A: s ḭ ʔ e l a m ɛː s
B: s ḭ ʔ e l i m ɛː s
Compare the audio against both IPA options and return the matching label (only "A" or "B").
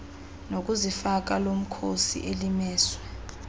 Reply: B